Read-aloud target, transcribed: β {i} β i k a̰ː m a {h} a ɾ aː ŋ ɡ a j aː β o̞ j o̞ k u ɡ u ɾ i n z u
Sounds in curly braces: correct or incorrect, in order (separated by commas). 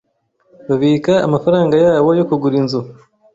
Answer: incorrect, incorrect